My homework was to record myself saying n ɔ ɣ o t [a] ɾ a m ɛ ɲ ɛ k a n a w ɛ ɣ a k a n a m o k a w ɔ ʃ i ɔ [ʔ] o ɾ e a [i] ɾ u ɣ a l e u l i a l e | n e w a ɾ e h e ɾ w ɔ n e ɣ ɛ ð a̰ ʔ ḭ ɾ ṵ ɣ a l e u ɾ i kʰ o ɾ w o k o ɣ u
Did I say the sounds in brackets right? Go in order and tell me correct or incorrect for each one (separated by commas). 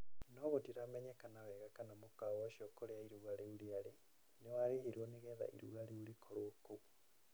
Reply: incorrect, incorrect, correct